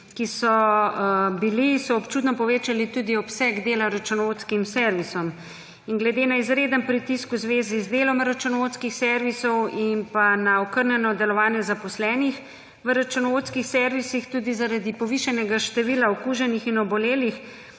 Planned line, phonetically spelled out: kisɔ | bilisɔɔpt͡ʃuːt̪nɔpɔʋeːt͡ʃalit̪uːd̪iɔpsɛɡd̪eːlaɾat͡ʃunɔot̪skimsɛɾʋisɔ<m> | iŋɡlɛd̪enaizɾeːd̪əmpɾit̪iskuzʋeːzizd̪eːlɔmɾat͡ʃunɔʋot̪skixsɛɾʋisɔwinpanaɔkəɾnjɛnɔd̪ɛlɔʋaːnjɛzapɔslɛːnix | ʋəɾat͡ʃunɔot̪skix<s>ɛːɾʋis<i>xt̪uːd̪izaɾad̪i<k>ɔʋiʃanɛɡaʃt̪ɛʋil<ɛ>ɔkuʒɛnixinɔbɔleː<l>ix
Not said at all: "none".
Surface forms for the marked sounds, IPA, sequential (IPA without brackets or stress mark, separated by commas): m, s, i, p, a, l